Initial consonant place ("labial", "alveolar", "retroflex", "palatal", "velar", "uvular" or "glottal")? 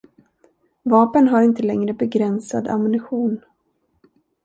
labial